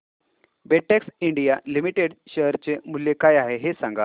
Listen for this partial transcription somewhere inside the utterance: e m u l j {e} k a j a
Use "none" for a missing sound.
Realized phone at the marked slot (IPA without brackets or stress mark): e